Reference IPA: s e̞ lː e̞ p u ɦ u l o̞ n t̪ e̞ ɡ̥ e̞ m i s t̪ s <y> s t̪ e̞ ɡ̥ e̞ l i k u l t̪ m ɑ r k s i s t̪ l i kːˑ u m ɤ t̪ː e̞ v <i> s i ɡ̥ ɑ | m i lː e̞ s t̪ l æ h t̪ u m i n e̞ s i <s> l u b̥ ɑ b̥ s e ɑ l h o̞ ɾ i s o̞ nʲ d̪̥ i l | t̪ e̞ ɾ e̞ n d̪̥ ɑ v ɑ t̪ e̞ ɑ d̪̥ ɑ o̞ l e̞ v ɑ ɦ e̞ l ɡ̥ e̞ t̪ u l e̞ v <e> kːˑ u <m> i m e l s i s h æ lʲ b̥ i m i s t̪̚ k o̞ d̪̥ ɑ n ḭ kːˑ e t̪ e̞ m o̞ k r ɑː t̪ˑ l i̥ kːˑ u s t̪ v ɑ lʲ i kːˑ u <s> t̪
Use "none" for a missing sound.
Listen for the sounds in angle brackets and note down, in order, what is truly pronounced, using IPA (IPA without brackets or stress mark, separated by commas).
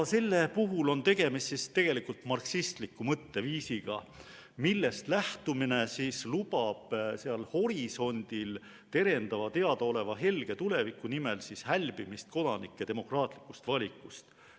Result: i, iː, s, i, n, s